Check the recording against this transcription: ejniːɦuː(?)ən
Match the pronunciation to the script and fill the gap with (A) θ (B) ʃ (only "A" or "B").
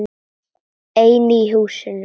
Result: B